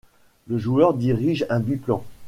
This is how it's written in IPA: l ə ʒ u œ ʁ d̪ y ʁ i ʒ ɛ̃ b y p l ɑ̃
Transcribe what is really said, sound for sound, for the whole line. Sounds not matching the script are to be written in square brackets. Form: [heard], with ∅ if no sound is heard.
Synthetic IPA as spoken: l ə ʒ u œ ʁ d̪ [i] ʁ i ʒ ɛ̃ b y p l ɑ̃